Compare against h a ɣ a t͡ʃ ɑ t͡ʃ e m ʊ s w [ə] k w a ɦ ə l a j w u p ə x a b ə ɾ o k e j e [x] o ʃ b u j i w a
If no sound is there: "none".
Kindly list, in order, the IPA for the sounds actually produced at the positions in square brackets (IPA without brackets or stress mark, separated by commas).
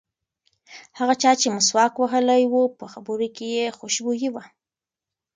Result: ɑ, x